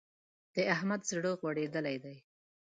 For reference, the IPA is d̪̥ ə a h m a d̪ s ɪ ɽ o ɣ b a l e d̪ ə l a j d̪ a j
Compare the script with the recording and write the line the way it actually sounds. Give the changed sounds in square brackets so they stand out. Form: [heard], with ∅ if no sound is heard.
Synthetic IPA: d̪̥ ə a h m a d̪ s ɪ ɽ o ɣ [w] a [ɽ] e d̪ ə l a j d̪ a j